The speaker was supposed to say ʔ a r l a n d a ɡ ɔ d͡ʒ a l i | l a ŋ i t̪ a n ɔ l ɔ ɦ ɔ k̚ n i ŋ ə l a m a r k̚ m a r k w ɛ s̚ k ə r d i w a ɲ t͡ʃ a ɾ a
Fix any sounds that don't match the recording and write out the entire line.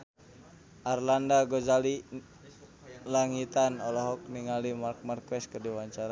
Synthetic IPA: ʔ a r l a n d a ɡ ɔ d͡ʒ a l i | l a ŋ i t̪ a n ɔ l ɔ ɦ ɔ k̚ n i ŋ a l i m a r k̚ m a r k w ɛ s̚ k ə r d i w a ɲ t͡ʃ a ɾ a